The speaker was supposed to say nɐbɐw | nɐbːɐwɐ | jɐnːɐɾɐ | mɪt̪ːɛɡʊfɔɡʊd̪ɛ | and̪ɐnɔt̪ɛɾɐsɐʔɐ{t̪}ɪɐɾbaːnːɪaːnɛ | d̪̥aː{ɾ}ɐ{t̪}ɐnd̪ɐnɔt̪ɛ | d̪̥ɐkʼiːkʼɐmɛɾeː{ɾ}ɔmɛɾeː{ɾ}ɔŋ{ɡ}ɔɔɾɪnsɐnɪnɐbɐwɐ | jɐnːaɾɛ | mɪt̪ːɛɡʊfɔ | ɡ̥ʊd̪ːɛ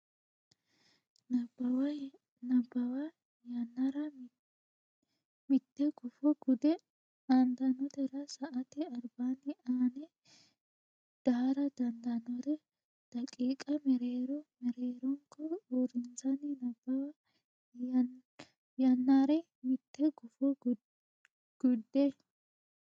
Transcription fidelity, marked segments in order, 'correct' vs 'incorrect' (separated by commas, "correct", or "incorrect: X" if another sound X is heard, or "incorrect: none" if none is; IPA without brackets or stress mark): correct, correct, incorrect: d̪, correct, correct, incorrect: k